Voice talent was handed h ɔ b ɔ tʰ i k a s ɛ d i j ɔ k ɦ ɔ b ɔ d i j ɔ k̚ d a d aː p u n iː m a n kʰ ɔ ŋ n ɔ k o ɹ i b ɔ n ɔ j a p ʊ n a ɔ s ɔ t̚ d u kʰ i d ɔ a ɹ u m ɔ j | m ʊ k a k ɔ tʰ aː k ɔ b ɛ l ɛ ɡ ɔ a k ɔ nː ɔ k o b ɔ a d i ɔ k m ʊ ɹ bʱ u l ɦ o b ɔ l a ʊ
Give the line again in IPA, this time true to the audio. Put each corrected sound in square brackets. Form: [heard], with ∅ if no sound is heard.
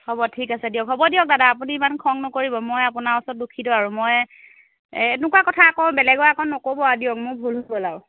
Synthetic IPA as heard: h ɔ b ɔ tʰ i k a s ɛ d i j ɔ k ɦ ɔ b ɔ d i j ɔ k̚ d a d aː p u n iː m a n kʰ ɔ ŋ n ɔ k o ɹ i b ɔ [m] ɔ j a p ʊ n a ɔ s ɔ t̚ d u kʰ i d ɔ a ɹ u m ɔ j | [n] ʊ k a k ɔ tʰ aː k ɔ b ɛ l ɛ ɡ ɔ a k ɔ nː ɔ k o b ɔ a d i ɔ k m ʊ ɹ bʱ u l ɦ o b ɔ l a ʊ